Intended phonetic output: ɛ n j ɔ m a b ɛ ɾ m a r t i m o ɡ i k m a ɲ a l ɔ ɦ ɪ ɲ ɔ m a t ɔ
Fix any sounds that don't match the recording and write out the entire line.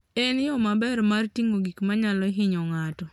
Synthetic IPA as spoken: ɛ n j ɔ m a b ɛ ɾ m a r t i ŋ o ɡ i k m a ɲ a l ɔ ɦ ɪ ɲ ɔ ŋ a t ɔ